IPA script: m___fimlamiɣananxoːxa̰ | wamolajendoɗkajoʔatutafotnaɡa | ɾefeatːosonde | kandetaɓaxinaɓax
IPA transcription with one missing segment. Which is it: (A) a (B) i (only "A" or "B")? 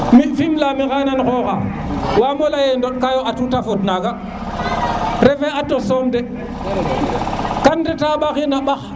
B